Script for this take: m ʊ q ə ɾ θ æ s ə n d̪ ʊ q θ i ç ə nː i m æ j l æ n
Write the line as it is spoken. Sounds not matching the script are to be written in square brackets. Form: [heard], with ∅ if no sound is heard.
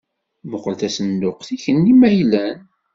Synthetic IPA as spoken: m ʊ q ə [l] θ æ s ə n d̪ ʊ q θ i ç ə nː i m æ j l æ n